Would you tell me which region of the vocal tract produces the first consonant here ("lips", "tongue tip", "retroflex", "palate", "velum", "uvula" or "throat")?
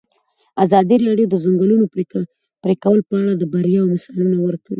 tongue tip